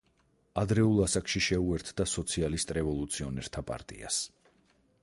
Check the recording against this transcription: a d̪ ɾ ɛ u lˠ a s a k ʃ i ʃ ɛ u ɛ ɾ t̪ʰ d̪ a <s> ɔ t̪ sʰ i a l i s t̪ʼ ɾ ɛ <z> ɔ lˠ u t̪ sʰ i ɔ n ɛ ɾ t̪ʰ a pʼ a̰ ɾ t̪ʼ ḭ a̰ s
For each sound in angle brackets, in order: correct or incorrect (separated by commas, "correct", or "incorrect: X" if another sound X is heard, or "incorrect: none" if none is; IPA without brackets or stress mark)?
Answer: correct, incorrect: v